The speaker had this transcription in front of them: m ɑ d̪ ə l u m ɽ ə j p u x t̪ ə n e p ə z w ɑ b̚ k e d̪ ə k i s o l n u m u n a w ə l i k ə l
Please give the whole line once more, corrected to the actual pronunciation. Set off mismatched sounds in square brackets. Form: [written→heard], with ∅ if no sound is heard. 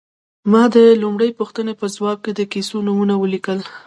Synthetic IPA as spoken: m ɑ d̪ ə l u m ɽ ə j p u x t̪ ə n e p ə z w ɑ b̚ k e d̪ ə k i s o [l→∅] n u m u n a w ə l i k ə l